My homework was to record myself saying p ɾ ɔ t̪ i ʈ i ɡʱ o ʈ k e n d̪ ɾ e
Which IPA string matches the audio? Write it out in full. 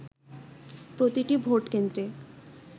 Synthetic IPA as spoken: p ɾ o t̪ i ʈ i bʱ o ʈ k e n d̪ ɾ e